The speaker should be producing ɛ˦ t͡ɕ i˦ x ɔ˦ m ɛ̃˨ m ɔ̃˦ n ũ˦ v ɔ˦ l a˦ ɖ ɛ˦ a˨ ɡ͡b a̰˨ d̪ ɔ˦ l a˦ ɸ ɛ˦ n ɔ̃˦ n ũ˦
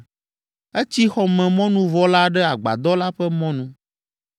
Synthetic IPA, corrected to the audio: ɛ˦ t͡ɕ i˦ x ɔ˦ m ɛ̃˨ m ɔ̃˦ n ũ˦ v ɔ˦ l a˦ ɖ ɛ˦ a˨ ɡ͡b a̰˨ d̪ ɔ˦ l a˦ ɸ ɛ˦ m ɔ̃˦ n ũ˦